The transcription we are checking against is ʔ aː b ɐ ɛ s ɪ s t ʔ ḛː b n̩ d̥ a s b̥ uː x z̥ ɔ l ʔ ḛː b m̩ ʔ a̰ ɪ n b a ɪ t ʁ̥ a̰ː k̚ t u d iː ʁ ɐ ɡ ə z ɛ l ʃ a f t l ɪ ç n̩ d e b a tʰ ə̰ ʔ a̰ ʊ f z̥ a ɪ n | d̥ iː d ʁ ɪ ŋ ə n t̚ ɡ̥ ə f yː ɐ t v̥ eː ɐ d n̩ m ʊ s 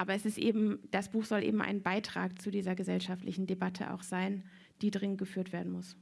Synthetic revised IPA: ʔ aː b ɐ ɛ s ɪ s t ʔ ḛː b m̩ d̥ a s b̥ uː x z̥ ɔ l ʔ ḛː b m̩ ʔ a̰ ɪ n b a ɪ t ʁ̥ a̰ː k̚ t͡s u d iː z ɐ ɡ ə z ɛ l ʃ a f t l ɪ ç n̩ d e b a tʰ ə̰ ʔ a̰ ʊ x z̥ a ɪ n | d̥ iː d ʁ ɪ ŋ ə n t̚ ɡ̥ ə f yː ɐ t v̥ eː ɐ d n̩ m ʊ s